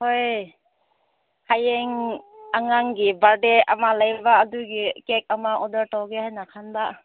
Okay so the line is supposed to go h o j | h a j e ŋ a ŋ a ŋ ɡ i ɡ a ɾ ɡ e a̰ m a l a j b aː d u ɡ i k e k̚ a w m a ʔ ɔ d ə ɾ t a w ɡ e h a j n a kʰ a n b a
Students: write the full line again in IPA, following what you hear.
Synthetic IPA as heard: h o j | h a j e ŋ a ŋ a ŋ ɡ i b a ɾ d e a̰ m a l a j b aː d u ɡ i k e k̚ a m a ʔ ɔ d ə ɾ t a w ɡ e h a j n a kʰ a n b a